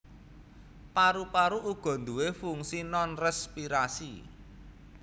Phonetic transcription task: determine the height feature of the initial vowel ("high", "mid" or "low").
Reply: low